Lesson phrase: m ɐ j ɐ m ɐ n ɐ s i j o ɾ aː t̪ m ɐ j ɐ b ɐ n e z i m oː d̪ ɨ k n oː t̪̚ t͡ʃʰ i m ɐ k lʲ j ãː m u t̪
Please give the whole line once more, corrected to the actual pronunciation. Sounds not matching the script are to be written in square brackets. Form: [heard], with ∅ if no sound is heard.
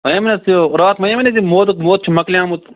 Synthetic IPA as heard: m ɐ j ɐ m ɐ n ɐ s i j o ɾ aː t̪ m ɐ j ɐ [m] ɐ n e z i m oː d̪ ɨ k [m] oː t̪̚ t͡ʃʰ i m ɐ k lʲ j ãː m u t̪

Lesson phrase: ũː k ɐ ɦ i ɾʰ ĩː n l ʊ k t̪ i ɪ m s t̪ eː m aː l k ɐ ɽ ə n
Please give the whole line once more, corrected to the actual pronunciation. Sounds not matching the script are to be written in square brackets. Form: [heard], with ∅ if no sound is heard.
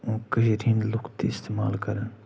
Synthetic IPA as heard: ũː k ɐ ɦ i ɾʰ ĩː n l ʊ k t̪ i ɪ [∅] s t̪ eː m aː l k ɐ [ɾ] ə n

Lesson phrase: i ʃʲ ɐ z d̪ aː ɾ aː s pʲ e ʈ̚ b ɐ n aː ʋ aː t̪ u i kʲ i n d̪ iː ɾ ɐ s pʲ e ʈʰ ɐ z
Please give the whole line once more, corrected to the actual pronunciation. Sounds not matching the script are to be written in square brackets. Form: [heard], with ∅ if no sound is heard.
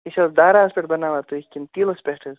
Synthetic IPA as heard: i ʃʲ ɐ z d̪ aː ɾ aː s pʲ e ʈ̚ b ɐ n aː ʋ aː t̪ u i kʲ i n [t̪] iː [l] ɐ s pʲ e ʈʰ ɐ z

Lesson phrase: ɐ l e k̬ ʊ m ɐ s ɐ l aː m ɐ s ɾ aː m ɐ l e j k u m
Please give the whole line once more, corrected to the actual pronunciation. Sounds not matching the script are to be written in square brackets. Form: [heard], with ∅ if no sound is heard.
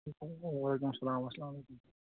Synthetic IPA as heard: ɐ l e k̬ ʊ m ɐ s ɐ l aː m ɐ s [l] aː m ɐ l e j k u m

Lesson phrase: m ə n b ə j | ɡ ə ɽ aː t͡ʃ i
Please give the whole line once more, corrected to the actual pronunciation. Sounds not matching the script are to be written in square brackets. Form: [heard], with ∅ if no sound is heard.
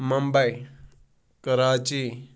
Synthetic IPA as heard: m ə [m] b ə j | [k] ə [ɾ] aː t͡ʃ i

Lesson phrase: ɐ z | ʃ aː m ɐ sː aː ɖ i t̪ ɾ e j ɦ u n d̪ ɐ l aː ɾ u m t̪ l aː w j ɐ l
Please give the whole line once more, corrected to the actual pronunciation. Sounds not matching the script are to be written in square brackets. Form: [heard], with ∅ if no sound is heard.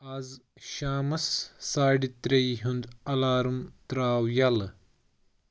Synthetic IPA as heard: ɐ z | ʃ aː m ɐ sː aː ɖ i t̪ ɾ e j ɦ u n d̪ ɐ l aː ɾ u m t̪ [ɾ] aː w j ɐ l

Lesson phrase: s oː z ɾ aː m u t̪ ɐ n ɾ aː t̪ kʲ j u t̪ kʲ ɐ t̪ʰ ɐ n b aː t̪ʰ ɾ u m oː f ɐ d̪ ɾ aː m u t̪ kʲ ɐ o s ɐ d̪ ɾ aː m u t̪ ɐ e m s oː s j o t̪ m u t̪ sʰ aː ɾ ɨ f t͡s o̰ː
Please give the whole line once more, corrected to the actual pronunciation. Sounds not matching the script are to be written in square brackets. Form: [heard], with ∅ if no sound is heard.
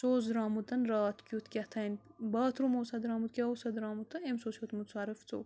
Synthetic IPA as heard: s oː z ɾ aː m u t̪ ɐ n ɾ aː t̪ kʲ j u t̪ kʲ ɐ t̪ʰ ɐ n b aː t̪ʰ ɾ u m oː [s] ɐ d̪ ɾ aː m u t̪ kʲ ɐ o s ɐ d̪ ɾ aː m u t̪ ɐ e m s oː s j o t̪ m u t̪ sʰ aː ɾ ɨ f t͡s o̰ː

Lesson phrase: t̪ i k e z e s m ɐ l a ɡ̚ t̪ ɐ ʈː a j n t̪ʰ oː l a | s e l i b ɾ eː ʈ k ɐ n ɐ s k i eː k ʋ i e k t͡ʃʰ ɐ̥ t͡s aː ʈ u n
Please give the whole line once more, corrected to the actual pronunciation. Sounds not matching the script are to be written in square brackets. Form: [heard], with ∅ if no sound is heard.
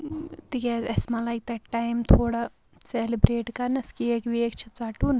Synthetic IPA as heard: t̪ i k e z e s m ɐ l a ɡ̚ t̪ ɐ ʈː a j [m] t̪ʰ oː [ɽ] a | s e l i b ɾ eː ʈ k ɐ n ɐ s k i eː k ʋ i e k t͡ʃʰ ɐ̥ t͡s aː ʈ u n

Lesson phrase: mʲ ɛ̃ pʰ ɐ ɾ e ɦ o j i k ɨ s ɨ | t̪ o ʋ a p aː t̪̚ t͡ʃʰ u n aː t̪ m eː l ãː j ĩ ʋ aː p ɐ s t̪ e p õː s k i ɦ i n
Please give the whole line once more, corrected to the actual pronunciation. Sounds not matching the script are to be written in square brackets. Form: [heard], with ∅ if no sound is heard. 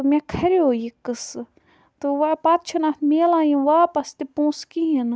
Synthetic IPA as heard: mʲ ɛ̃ [kʰ] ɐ ɾ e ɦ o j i k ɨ s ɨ | t̪ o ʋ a p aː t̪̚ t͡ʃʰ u n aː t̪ m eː l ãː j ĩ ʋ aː p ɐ s t̪ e p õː s k i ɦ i n

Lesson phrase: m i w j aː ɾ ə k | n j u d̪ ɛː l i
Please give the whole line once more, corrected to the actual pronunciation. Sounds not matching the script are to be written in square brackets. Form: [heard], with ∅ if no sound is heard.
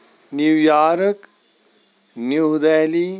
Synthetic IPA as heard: [n] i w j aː ɾ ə k | n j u d̪ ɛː l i

